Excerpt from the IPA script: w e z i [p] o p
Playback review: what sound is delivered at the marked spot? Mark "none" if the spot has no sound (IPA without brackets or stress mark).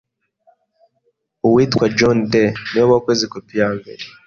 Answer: k